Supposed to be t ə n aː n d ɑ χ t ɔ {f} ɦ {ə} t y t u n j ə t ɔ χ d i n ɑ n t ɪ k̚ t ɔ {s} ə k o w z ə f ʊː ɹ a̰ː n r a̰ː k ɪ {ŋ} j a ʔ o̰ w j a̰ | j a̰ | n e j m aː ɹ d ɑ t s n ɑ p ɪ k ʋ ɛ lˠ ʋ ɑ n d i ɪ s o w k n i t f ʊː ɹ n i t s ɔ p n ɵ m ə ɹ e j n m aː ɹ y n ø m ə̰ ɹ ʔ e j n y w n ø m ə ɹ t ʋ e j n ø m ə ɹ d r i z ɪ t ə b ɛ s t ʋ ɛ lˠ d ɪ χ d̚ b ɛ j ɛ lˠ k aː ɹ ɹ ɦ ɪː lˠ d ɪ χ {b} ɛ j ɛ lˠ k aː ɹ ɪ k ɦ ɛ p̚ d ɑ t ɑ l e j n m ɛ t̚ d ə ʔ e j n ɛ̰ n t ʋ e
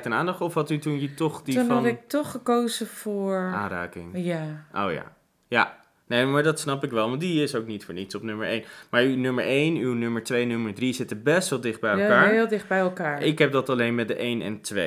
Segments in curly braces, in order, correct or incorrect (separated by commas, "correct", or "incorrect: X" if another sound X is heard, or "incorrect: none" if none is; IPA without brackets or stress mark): correct, incorrect: ɑ, incorrect: χ, correct, correct